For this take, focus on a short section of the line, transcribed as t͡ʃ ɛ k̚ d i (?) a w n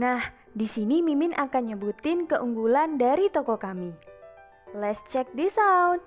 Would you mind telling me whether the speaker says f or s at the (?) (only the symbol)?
s